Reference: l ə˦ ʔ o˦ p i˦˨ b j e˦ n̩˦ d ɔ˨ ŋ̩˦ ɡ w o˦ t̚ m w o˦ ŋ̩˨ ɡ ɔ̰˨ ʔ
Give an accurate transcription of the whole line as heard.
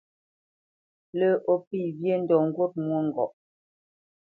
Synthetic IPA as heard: l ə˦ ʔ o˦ p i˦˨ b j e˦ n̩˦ d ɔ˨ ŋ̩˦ ɡ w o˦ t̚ m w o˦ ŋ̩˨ ɡ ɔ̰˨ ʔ